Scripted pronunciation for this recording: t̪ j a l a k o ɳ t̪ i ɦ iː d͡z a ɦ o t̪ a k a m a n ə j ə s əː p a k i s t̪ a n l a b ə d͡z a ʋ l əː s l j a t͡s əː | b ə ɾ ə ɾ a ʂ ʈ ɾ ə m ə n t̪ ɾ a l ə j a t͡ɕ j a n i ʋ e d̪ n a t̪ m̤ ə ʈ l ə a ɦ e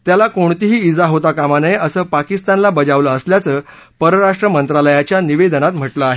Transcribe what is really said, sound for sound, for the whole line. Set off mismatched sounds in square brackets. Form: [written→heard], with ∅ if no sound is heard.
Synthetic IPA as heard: t̪ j a l a k o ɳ t̪ i ɦ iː d͡z a ɦ o t̪ a k a m a n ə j ə s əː p a k i s t̪ a n l a b ə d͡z a ʋ l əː s l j a t͡s əː | [b→p] ə ɾ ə ɾ a ʂ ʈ ɾ ə m ə n t̪ ɾ a l ə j a t͡ɕ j a n i ʋ e d̪ n a t̪ m̤ ə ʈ l ə a ɦ e